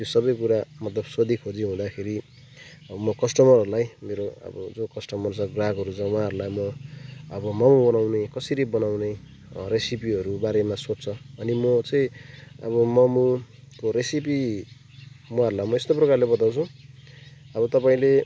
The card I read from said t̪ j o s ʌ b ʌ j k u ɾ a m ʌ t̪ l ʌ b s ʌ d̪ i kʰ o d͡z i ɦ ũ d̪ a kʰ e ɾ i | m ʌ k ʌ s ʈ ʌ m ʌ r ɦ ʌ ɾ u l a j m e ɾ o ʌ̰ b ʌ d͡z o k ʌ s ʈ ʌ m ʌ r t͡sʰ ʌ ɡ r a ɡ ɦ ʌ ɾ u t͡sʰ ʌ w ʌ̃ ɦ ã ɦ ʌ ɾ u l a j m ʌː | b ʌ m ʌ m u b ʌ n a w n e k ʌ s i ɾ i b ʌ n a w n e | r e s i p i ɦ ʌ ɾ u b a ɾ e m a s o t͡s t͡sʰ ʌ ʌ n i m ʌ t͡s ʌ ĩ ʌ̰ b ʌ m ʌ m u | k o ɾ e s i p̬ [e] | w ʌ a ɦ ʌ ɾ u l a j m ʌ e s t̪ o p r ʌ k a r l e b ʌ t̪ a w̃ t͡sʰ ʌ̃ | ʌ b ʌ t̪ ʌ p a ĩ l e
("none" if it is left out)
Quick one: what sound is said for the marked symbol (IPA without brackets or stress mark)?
i